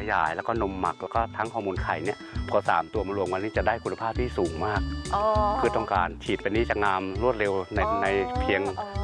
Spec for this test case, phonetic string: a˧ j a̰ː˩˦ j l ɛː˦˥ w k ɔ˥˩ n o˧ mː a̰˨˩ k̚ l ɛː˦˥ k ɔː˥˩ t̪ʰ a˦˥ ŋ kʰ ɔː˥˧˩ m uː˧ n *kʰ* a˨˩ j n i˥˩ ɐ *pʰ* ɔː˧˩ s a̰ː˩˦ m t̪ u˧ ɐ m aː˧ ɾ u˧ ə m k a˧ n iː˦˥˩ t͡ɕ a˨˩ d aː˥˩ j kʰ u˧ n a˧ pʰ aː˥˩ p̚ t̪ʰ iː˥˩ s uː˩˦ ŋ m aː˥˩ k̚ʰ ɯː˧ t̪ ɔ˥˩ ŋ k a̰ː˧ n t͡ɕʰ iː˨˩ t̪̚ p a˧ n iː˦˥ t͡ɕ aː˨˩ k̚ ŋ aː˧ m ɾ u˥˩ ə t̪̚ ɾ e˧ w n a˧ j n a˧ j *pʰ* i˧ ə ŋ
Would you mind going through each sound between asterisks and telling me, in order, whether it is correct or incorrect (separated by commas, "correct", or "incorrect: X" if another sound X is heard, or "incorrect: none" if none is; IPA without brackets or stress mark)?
correct, correct, correct